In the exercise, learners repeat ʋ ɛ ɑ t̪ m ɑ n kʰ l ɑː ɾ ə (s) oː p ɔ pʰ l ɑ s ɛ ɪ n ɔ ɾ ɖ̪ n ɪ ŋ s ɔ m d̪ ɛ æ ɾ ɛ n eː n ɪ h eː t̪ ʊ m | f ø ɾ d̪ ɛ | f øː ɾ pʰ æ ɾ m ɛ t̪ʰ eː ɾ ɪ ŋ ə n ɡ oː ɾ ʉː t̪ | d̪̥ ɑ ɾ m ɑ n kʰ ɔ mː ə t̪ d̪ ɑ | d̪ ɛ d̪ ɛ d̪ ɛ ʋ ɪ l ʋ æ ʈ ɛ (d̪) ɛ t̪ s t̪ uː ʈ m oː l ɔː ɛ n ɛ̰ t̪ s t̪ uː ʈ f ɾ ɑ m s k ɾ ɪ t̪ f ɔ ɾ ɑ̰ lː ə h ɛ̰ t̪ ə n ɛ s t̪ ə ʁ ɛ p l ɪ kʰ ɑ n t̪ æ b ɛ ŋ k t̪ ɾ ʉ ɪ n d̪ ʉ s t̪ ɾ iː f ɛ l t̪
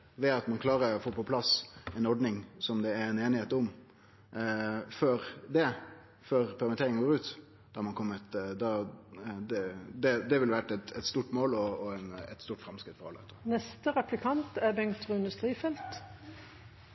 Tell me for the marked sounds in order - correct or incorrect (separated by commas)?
incorrect, incorrect